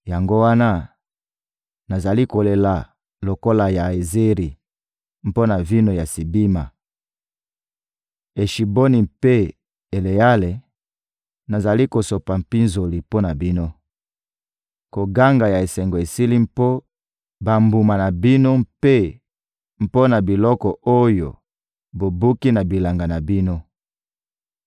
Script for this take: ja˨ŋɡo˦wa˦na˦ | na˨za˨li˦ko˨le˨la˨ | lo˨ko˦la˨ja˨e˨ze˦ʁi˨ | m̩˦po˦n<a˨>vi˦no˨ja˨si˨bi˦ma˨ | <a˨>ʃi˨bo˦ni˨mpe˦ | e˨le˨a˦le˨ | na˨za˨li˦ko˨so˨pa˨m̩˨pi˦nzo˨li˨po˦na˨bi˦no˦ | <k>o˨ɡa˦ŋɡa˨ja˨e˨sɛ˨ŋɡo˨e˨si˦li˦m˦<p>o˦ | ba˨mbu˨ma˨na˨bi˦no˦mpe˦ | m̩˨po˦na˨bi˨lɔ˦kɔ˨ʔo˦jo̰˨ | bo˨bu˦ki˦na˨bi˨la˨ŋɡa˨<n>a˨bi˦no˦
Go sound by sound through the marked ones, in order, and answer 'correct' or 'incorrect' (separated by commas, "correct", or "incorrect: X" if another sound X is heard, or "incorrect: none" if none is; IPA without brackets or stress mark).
correct, incorrect: e˨, correct, correct, correct